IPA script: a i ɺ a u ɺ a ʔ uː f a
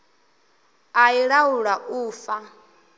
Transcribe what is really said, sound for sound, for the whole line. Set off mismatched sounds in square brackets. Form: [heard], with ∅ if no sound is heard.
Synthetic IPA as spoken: a i ɺ a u ɺ a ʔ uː f a